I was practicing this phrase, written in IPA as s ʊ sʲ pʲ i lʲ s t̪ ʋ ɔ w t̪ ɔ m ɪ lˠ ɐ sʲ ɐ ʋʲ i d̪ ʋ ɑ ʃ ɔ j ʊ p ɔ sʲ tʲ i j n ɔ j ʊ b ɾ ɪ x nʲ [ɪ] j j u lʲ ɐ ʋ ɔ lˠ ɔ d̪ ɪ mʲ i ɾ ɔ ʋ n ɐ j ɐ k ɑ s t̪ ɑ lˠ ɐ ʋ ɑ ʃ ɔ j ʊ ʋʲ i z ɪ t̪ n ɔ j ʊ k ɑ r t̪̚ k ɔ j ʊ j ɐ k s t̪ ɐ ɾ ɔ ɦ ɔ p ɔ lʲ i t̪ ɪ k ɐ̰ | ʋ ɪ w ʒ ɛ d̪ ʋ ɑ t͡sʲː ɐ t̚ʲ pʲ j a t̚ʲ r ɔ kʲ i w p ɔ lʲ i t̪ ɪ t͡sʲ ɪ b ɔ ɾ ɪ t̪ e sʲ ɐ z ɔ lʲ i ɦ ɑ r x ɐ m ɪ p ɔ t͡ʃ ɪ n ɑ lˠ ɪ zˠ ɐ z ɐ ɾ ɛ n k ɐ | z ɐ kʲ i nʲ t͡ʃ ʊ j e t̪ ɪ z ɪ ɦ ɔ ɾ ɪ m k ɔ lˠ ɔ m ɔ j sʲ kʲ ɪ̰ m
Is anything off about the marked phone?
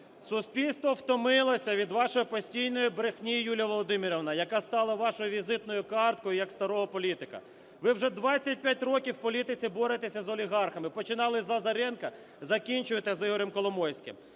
yes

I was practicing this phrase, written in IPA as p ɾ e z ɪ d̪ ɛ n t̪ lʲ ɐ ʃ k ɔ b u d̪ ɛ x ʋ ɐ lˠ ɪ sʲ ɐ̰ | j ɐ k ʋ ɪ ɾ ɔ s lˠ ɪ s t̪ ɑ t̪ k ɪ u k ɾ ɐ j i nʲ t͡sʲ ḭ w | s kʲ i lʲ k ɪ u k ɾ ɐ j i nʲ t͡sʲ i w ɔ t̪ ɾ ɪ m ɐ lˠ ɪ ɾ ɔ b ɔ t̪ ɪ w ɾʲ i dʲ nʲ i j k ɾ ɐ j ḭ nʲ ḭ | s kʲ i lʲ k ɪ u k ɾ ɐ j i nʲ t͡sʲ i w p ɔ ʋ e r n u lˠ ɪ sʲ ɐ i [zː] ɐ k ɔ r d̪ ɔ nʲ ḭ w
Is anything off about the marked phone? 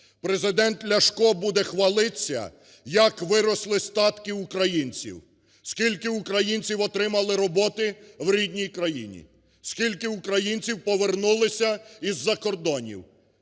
no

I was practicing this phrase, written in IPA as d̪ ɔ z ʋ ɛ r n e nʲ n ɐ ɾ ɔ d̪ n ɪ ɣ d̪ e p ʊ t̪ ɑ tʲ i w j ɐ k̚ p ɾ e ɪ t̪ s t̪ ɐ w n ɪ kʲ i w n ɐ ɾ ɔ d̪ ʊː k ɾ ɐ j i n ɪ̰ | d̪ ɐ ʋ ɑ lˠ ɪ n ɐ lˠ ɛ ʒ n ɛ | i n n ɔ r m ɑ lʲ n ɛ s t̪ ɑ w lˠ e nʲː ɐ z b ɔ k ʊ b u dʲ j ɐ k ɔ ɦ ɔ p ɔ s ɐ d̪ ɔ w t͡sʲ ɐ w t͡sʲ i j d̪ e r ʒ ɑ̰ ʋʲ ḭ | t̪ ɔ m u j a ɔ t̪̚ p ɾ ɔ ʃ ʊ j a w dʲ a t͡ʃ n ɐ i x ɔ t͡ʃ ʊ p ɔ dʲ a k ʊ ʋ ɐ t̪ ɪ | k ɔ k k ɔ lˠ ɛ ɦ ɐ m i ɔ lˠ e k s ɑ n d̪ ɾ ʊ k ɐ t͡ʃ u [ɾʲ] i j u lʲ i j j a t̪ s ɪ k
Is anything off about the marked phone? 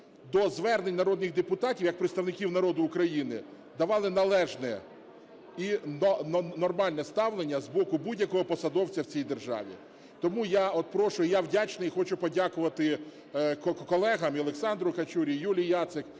no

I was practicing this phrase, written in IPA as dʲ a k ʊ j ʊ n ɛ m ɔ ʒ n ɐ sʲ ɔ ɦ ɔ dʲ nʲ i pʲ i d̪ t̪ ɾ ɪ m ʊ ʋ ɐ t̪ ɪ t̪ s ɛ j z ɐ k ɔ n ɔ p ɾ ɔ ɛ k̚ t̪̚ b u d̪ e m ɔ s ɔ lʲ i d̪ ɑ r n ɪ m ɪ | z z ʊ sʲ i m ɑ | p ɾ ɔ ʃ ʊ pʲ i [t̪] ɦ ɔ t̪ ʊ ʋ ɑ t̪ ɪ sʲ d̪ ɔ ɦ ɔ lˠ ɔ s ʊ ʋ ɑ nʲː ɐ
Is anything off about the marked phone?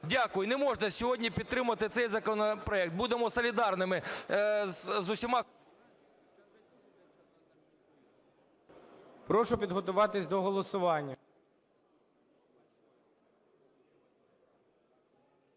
yes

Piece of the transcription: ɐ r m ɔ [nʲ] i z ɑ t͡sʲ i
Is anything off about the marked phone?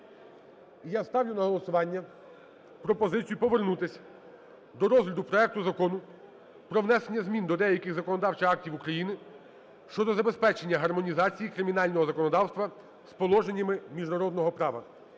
no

